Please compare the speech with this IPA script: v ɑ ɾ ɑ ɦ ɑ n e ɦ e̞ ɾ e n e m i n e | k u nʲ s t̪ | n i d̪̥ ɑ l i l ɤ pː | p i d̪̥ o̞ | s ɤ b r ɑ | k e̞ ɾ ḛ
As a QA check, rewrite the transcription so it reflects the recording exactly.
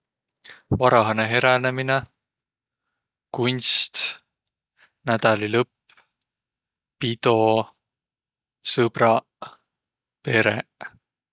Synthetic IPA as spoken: v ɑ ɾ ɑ ɦ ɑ n e ɦ e̞ ɾ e n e m i n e | k u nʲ s t̪ | n æ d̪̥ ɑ l i l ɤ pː | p i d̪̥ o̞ | s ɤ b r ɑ | p e̞ ɾ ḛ